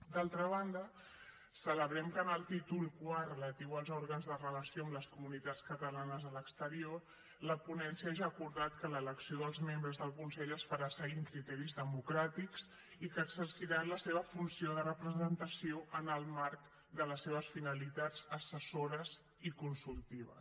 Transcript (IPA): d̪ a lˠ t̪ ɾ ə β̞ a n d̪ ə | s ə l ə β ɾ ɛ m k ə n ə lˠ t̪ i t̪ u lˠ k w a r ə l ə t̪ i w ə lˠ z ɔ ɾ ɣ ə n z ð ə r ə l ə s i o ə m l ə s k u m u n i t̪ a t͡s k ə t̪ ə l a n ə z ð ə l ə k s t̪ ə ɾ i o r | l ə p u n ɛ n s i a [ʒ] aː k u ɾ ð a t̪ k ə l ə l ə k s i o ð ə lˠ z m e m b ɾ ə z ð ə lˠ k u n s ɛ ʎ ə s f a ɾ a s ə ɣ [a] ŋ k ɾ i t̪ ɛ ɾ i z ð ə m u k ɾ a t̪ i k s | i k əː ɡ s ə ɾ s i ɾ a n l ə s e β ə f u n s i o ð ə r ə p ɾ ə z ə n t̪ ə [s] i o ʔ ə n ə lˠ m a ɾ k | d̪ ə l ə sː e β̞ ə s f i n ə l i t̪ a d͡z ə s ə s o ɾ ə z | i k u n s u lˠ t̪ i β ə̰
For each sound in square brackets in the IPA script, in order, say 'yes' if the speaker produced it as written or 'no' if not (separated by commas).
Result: yes, no, yes